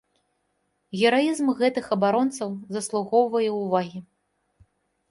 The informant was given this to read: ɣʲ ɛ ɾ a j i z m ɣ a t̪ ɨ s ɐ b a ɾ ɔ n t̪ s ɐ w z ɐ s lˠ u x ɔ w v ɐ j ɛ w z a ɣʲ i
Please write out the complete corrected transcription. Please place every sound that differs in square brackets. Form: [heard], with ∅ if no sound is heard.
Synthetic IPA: ɣʲ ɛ ɾ a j i z m ɣ [ɛ] t̪ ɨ [x] ɐ b a ɾ ɔ n t̪ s ɐ w z ɐ s lˠ u [ɣ] ɔ w v ɐ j ɛ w [v] a ɣʲ i